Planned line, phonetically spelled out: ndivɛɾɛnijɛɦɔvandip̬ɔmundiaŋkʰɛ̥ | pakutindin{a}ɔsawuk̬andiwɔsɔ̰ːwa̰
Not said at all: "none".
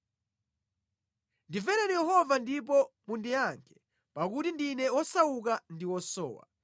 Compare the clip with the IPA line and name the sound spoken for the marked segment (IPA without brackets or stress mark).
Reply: ɛ